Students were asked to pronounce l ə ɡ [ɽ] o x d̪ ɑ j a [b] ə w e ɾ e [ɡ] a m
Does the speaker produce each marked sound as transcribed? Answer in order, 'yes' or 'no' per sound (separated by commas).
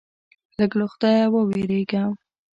no, no, yes